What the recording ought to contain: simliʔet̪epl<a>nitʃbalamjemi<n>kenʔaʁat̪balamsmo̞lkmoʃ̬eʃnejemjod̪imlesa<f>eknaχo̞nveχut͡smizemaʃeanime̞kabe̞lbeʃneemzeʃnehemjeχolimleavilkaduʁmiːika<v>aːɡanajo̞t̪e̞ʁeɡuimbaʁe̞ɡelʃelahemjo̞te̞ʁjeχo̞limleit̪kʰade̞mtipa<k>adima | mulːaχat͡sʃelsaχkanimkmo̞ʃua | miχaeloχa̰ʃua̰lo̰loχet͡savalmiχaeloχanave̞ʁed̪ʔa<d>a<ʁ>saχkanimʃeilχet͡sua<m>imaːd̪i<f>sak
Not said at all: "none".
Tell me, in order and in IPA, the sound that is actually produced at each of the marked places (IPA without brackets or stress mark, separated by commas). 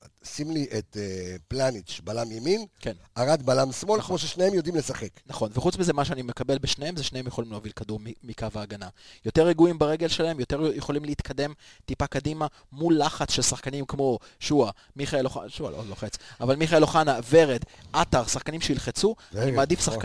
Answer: a, n, χ, v, k, t, ʁ, n, f